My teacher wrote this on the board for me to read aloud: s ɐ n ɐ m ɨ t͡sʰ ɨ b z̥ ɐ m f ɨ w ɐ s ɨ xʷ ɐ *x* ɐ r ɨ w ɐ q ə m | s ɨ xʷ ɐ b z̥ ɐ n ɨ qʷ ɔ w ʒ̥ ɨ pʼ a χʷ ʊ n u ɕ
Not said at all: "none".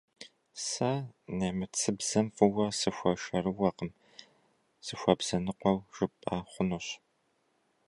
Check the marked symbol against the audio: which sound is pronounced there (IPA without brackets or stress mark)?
ʃ